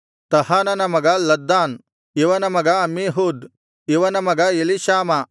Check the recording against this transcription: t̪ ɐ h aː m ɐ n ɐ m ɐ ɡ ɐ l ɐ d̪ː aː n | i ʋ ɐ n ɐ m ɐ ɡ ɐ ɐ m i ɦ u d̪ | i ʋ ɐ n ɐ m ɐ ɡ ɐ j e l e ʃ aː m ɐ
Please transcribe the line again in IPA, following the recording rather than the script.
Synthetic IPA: t̪ ɐ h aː n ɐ n ɐ m ɐ ɡ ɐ l ɐ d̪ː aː n | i ʋ ɐ n ɐ m ɐ ɡ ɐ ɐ m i ɦ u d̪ | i ʋ ɐ n ɐ m ɐ ɡ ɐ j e l i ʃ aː m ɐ